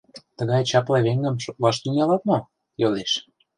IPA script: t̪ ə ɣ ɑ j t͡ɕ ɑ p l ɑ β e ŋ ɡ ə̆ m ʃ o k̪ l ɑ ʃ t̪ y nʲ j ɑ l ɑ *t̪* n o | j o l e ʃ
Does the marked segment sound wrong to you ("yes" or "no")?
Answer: no